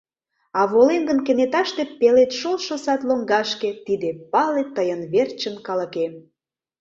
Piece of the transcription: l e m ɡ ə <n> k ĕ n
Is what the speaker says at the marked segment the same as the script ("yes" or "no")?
yes